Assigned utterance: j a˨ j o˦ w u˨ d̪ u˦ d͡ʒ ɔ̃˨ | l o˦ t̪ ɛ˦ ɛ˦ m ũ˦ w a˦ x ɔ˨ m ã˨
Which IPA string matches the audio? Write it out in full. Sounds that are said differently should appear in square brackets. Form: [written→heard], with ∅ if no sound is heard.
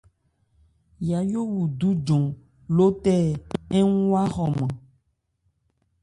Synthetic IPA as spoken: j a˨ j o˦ w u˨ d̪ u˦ d͡ʒ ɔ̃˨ | l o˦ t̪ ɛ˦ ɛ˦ [m→ŋ] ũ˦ w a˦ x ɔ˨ m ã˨

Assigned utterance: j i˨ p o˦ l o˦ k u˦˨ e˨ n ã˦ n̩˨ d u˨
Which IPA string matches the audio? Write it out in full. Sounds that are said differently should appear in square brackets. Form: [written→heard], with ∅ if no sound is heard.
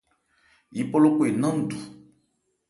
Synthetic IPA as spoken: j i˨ p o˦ l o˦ k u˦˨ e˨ n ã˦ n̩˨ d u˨

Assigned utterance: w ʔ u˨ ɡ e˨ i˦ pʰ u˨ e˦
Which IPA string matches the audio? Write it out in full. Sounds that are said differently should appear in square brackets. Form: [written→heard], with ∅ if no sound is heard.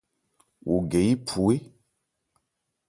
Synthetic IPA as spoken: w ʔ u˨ ɡ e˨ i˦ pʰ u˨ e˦

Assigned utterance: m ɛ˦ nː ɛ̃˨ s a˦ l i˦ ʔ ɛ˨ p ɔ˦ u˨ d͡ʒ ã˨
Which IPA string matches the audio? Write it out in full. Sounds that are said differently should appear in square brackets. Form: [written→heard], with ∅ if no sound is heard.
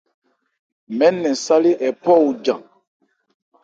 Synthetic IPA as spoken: m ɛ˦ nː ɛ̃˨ s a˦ l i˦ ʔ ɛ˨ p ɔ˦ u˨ d͡ʒ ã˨

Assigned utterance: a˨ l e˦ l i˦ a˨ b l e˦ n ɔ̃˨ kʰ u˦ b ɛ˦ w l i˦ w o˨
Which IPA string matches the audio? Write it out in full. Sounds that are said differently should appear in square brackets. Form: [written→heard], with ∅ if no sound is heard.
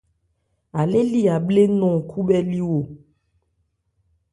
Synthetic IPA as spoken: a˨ l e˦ l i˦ a˨ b l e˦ n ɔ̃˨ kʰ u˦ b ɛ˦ [w→∅] l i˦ w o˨

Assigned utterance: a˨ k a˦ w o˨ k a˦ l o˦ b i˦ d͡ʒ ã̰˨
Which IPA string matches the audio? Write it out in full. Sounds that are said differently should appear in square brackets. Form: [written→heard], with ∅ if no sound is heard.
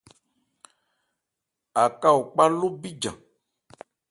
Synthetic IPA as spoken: a˨ k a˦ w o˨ [k→k͡p] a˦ l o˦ b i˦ d͡ʒ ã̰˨

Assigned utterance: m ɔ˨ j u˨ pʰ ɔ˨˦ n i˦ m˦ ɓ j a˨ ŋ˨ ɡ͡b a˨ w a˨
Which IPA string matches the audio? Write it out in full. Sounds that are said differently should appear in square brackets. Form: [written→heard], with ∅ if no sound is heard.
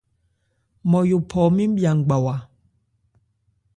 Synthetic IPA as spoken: m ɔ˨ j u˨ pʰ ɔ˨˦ [n→m] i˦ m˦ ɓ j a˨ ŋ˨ ɡ͡b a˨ w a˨

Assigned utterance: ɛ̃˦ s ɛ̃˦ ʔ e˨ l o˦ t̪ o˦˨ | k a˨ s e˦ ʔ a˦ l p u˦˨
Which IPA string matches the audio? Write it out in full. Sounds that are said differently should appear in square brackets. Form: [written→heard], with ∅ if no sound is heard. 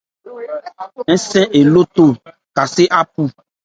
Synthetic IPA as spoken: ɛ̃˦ s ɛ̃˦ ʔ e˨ l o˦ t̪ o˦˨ | k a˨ s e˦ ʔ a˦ [l→∅] p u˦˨

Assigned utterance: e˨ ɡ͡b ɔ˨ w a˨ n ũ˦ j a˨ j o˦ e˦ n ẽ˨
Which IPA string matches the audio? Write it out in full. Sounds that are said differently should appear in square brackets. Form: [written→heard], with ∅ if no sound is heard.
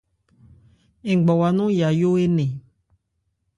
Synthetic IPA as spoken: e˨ ɡ͡b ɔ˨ w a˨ n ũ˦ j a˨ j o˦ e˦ n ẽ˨

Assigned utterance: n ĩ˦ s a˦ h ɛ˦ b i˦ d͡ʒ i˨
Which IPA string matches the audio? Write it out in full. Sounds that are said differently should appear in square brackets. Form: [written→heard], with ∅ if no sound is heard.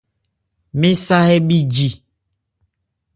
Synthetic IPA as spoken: [n→m] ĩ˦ s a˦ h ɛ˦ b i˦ d͡ʒ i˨

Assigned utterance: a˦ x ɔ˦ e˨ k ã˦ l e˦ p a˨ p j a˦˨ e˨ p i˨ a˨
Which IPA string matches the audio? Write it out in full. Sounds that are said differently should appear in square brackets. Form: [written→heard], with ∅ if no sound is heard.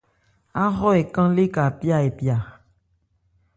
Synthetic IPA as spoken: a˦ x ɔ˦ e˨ k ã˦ l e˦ [p→k] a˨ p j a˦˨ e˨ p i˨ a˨

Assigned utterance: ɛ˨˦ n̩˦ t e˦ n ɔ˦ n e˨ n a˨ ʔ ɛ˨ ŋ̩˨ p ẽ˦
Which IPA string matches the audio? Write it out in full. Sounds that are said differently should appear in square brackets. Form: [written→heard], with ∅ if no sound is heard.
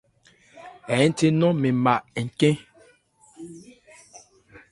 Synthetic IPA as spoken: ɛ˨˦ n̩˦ t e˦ n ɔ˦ [n→m] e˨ [n→m] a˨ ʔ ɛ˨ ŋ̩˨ [p→k] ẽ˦

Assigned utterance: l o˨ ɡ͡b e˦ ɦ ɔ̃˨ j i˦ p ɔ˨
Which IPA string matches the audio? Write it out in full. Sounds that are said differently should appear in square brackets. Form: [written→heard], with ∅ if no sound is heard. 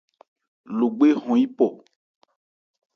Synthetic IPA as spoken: l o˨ ɡ͡b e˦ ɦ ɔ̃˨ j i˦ p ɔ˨

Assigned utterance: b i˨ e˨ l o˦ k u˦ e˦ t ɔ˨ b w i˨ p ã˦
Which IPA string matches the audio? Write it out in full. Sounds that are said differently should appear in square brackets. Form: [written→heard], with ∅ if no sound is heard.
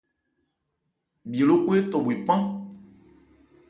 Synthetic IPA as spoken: b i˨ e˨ l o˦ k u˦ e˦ t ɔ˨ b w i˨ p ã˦

